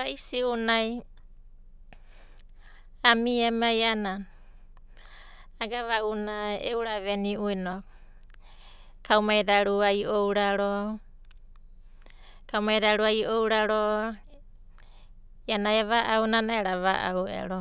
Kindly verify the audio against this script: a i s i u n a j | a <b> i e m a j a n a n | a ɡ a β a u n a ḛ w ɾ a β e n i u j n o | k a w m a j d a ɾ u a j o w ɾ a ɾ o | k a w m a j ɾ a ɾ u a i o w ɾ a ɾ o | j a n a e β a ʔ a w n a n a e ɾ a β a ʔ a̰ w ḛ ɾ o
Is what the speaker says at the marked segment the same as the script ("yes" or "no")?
no